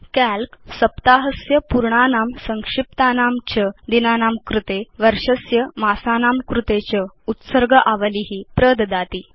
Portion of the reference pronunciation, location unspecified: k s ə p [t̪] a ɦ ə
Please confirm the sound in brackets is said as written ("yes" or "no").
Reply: yes